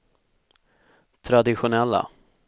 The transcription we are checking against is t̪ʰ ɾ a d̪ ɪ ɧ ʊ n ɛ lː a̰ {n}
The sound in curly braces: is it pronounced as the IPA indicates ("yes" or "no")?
no